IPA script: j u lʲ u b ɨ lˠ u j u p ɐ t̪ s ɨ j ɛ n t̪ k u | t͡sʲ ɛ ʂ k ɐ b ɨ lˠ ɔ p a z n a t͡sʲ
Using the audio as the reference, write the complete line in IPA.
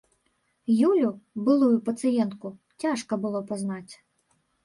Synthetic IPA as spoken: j u lʲ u b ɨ lˠ u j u p ɐ t̪ s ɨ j ɛ n t̪ k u | t͡sʲ a ʂ k ɐ b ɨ lˠ ɔ p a z n a t͡sʲ